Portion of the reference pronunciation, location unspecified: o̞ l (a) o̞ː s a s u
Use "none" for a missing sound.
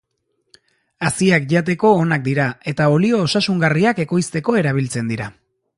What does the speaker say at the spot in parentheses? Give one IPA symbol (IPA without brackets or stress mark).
i